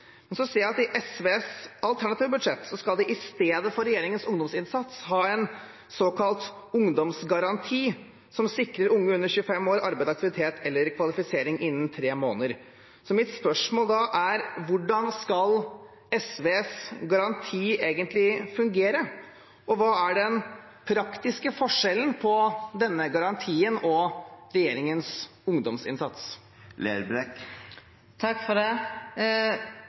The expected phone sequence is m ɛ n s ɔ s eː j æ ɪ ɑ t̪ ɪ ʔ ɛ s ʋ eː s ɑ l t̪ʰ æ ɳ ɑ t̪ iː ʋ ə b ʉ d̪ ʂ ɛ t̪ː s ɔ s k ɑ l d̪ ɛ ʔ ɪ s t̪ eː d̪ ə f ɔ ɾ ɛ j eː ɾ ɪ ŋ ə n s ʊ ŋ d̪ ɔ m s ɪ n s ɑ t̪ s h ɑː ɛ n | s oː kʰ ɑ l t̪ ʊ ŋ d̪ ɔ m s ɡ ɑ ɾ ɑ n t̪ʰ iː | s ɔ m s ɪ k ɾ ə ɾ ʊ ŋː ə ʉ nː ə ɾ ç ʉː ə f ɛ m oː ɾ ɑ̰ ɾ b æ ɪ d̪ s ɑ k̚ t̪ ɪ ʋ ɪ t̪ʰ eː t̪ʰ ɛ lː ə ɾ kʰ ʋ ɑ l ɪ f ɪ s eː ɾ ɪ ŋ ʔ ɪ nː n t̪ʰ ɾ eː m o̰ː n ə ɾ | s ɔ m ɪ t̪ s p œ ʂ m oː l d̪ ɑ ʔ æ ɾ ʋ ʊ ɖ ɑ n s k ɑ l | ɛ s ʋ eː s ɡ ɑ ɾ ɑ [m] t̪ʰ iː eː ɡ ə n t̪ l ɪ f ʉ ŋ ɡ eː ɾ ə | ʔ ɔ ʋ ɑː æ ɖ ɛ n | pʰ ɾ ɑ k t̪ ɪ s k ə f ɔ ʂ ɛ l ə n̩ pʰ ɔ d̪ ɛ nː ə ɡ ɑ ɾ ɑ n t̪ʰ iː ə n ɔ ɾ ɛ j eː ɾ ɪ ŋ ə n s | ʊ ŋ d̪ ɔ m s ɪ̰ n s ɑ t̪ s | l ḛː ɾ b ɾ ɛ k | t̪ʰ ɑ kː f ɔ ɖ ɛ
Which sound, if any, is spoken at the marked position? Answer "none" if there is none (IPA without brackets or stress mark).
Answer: n